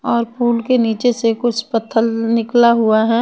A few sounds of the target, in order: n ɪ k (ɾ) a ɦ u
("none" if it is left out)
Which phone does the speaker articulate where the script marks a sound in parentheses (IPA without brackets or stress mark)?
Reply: l